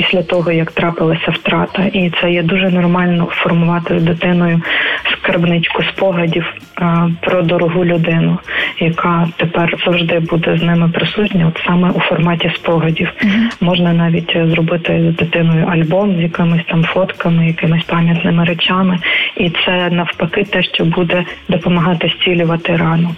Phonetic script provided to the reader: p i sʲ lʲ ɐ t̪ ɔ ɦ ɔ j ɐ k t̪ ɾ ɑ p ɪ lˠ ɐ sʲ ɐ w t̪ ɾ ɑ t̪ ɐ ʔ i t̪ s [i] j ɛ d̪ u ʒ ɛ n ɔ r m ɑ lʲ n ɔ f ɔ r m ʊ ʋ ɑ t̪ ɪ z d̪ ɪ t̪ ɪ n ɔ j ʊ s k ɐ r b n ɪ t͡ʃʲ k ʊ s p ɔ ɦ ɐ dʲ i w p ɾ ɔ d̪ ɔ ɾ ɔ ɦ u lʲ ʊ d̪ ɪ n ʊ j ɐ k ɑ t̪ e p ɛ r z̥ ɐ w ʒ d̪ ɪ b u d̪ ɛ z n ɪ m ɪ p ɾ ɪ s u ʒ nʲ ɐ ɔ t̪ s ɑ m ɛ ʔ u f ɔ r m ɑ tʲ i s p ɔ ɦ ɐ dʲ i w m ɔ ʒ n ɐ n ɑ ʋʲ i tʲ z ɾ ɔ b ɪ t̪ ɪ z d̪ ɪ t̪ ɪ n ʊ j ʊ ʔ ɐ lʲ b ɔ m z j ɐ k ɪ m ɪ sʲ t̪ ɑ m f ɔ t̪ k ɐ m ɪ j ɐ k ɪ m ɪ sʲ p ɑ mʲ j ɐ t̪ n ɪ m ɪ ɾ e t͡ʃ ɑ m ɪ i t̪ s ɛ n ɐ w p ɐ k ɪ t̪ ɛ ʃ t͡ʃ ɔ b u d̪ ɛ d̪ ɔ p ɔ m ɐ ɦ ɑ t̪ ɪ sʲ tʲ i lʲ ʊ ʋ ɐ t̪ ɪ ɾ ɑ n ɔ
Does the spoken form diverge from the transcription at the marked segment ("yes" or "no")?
yes